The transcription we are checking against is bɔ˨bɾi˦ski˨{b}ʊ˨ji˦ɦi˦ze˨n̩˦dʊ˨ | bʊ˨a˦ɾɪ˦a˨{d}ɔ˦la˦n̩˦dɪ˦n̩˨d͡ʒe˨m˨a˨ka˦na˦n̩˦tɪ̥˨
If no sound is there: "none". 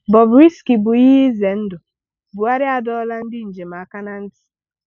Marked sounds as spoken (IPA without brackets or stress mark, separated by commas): b, d